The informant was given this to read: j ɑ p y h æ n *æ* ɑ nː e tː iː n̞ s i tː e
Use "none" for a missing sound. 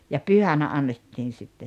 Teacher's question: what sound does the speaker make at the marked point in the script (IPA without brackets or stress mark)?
æ